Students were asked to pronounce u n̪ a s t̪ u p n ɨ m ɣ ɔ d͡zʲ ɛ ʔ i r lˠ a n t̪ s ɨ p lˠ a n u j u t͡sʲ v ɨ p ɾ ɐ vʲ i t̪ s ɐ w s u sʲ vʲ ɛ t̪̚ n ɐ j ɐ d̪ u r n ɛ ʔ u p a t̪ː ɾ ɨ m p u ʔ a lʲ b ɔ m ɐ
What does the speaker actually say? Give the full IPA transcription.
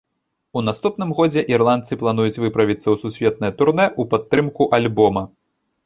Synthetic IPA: u n̪ a s t̪ u p n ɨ m ɣ ɔ d͡zʲ ɛ ʔ i r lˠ a n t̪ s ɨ p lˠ a n u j u t͡sʲ v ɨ p ɾ ɐ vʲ i t̪ s ɐ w s u sʲ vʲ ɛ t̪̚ n ɐ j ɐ t̪ u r n ɛ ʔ u p a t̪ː ɾ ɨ m k u ʔ a lʲ b ɔ m ɐ